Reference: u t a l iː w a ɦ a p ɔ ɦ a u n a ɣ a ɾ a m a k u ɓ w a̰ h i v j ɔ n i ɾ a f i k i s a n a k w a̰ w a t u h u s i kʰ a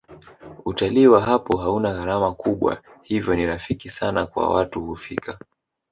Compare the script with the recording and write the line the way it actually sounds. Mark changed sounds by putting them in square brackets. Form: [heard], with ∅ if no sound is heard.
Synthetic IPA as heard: u t a l iː w a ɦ a p ɔ ɦ a u n a ɣ a ɾ a m a k u ɓ w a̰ h i v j ɔ n i ɾ a f i k i s a n a k w a̰ w a t u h u [f] i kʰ a